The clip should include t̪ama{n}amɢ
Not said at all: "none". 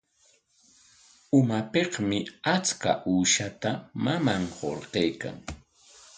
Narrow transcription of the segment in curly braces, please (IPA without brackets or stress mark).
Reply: m